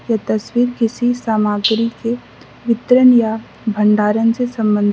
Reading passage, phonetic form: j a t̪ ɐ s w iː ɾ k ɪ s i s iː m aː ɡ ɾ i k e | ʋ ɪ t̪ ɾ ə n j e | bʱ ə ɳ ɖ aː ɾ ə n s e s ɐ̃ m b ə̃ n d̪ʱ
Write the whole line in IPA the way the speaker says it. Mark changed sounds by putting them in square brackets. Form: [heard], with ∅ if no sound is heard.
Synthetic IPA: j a t̪ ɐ s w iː ɾ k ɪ s i s [aː] m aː ɡ ɾ i k e | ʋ ɪ t̪ ɾ ə n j [a] | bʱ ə ɳ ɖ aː ɾ ə n s e s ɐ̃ m b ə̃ n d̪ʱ

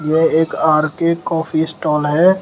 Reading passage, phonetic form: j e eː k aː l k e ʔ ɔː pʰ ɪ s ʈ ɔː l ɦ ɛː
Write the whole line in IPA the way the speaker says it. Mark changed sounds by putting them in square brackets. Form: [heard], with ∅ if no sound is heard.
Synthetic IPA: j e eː k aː [ɾ] k e [k] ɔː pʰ [i] s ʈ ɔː l ɦ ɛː

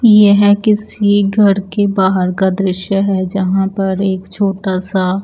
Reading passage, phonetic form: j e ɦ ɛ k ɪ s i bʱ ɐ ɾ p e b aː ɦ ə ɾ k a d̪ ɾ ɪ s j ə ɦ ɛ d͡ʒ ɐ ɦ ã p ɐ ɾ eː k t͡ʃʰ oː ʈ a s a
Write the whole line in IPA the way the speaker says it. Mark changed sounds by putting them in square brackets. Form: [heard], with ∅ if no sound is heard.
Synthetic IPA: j e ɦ ɛ k ɪ s i [ɡʱ] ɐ ɾ [k] e b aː ɦ ə ɾ k a d̪ ɾ ɪ [ʃ] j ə ɦ ɛ d͡ʒ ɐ ɦ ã p ɐ ɾ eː k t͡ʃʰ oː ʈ a s a

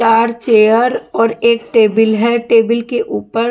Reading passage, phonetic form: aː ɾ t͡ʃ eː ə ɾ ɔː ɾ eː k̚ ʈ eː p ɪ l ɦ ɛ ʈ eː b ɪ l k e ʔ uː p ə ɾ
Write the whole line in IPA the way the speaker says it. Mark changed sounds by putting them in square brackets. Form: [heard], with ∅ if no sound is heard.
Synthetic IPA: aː ɾ t͡ʃ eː ə ɾ ɔː ɾ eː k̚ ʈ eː [b] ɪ l ɦ ɛ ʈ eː b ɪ l k e ʔ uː p ə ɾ

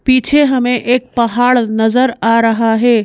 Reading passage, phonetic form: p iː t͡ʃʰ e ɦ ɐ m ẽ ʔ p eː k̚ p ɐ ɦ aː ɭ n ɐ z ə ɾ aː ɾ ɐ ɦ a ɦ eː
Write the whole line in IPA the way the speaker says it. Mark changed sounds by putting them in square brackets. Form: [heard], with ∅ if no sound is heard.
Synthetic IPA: p iː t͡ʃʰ e ɦ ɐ m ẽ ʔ [ʔ] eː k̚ p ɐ ɦ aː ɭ n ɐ z ə ɾ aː ɾ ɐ ɦ a ɦ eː

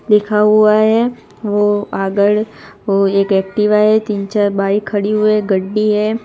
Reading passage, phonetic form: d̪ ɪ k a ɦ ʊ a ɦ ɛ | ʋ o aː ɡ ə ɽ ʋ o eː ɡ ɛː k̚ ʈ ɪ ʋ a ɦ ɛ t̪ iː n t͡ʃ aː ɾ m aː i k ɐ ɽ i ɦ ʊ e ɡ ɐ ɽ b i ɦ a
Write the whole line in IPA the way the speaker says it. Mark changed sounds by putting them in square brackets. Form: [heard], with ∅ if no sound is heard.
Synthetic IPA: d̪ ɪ [kʰ] a ɦ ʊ a ɦ ɛ | ʋ o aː ɡ ə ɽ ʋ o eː [k] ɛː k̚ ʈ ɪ ʋ a ɦ ɛ t̪ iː n t͡ʃ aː ɾ [b] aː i [kʰ] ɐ ɽ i ɦ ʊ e ɡ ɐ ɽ b i ɦ [ɛ]

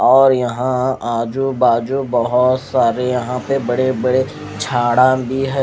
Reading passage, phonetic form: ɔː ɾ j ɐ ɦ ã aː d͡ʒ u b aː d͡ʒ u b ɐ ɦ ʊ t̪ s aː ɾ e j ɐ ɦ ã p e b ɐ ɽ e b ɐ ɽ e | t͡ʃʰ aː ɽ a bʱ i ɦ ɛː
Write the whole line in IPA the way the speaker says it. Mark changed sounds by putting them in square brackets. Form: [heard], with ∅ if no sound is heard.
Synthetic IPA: ɔː ɾ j ɐ ɦ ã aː d͡ʒ u b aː d͡ʒ u b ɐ ɦ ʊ t̪ s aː ɾ e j ɐ ɦ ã p e b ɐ ɽ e b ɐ ɽ e | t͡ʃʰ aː ɽ a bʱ i ɦ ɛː

